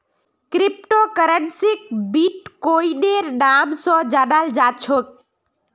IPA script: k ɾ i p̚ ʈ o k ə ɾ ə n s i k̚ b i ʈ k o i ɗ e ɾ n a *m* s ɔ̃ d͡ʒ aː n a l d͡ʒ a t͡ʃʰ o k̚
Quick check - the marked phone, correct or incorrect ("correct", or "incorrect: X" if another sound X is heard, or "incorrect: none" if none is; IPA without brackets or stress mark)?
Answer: correct